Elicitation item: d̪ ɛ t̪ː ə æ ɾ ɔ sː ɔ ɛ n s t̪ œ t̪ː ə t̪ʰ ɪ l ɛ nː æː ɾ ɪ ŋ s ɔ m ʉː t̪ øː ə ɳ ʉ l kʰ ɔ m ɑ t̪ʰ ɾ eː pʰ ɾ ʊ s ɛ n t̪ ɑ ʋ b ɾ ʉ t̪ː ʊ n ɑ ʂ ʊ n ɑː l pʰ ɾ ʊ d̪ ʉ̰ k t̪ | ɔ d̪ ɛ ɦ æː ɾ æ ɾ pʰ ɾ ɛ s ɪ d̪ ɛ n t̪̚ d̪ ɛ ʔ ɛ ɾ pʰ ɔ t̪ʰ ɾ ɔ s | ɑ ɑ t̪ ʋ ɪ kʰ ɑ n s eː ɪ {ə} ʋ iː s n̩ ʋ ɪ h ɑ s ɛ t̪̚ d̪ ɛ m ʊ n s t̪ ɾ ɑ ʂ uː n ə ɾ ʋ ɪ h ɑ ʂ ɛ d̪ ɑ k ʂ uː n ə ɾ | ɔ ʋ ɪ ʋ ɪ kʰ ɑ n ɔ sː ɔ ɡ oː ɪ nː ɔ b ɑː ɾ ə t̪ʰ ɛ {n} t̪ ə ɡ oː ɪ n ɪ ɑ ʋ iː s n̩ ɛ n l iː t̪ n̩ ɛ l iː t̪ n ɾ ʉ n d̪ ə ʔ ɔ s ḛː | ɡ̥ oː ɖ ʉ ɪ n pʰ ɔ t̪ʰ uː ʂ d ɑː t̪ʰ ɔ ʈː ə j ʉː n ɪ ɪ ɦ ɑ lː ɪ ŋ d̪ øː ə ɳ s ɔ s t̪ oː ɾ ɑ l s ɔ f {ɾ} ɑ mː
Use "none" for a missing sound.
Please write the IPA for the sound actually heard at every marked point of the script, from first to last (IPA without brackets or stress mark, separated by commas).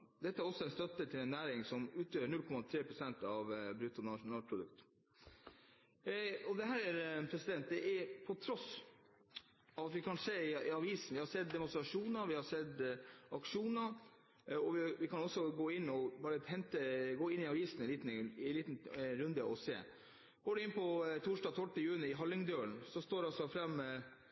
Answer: ɑ, n, ɾ